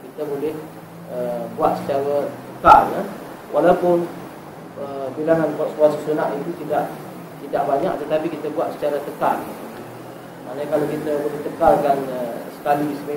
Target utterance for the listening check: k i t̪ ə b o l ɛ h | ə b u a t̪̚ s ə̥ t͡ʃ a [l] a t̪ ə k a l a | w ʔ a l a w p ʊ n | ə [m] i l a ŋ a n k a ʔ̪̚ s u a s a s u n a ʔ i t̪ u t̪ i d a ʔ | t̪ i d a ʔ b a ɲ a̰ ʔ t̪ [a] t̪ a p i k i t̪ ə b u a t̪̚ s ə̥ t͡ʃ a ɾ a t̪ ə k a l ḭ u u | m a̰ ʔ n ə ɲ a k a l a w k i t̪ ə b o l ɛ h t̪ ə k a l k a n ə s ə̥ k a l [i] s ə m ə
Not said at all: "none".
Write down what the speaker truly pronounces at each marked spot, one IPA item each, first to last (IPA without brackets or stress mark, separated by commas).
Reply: ɾ, b, ə, i